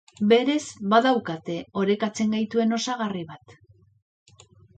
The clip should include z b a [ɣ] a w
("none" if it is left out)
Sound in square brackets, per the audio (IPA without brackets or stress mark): ð